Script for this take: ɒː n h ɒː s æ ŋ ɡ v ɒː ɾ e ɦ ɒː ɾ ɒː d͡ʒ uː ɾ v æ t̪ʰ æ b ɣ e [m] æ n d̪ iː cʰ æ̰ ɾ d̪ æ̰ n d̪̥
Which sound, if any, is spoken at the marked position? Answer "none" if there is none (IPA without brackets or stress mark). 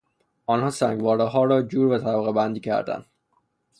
b